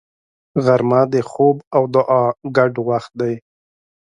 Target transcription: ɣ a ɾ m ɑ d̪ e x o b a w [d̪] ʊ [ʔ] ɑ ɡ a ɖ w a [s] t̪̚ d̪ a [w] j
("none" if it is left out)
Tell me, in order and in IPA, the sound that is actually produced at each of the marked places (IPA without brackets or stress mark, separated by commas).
d̪, ʔ, x, none